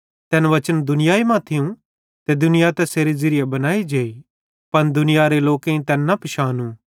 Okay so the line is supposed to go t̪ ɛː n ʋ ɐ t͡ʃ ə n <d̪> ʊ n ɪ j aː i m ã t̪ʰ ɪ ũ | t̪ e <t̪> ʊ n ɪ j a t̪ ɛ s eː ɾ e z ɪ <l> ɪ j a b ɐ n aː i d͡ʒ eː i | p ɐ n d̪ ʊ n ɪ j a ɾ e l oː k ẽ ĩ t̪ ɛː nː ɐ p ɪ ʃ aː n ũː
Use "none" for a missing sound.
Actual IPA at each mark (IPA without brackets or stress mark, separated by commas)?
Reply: d̪, d̪, ɾ